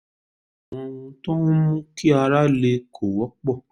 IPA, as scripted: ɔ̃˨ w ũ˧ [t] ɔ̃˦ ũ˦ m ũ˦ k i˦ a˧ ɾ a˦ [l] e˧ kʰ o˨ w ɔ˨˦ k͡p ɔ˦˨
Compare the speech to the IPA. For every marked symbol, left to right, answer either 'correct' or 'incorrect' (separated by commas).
correct, correct